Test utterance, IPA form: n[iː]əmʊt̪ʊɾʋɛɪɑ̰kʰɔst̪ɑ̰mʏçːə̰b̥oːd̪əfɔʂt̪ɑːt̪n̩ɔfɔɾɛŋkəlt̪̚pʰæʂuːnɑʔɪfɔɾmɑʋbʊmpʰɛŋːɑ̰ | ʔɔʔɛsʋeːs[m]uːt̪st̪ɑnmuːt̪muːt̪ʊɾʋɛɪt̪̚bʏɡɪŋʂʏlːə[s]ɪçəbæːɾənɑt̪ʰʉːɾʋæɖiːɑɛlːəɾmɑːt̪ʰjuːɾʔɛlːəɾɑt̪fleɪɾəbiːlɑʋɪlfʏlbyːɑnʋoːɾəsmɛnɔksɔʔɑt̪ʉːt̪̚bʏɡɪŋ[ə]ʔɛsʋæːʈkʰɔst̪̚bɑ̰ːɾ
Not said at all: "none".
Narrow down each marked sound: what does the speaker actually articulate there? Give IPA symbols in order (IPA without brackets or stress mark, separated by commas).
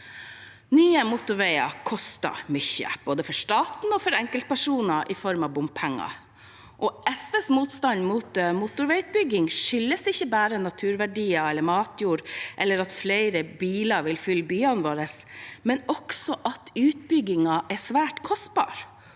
yː, m, s, ɑ